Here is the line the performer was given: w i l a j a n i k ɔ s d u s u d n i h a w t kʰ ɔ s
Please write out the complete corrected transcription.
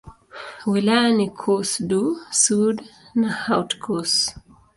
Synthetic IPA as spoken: w i l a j a n i kʰ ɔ s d u s u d n a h a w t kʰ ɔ s